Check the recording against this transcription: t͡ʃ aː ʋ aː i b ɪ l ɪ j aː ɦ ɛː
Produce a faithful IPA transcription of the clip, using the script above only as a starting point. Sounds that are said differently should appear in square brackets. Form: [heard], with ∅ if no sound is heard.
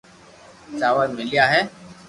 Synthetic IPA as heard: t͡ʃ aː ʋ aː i [m] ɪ l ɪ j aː ɦ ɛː